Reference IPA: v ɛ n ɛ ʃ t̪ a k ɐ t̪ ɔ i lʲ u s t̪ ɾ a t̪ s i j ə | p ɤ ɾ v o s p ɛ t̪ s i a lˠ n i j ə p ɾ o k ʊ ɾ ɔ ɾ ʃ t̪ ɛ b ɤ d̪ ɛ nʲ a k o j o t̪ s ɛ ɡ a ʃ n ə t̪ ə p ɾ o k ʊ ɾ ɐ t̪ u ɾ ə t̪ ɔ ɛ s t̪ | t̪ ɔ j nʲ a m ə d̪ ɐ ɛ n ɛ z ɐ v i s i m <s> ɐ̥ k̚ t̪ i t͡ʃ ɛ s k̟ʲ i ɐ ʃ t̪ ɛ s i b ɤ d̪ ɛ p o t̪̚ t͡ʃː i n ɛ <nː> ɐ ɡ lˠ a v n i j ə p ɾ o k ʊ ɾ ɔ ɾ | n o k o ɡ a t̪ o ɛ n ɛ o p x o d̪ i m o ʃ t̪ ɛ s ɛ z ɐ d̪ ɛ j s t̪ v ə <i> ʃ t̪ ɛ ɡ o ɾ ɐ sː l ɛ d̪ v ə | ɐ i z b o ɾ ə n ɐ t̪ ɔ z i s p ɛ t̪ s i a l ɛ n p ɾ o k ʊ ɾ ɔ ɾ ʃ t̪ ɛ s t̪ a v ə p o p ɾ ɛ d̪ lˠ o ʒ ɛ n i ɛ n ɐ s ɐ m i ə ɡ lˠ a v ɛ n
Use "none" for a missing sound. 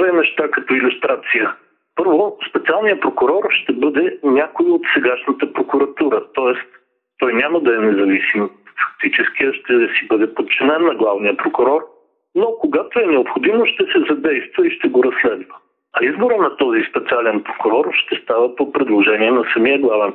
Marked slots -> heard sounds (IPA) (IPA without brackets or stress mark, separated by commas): f, nː, i